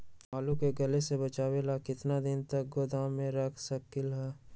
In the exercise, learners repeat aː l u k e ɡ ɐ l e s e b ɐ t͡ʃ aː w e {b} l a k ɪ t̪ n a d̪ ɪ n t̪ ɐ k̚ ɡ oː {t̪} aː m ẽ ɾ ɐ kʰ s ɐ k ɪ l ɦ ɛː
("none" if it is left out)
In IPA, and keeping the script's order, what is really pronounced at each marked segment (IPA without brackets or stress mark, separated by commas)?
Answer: none, d̪